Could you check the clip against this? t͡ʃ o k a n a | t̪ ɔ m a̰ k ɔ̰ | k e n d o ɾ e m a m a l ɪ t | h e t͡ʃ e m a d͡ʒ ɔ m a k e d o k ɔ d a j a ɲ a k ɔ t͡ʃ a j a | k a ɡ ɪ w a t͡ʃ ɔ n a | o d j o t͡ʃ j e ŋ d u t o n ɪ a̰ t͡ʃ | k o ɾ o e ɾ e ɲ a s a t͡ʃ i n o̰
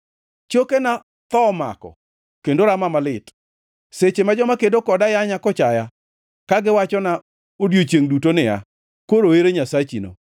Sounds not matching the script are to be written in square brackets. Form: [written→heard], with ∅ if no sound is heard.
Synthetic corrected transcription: t͡ʃ o k [a→e] n a | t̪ ɔ m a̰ k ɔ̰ | k e n d o ɾ [e→a] m a m a l ɪ t | [h→s] e t͡ʃ e m a d͡ʒ ɔ m a k e d o k ɔ d a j a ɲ a k ɔ t͡ʃ a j a | k a ɡ ɪ w a t͡ʃ ɔ n a | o d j o t͡ʃ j e ŋ d u t o n ɪ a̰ [t͡ʃ→∅] | k o ɾ o e ɾ e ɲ a s a t͡ʃ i n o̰